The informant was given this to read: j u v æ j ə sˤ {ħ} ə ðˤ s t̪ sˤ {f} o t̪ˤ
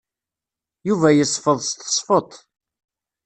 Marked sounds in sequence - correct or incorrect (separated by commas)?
incorrect, correct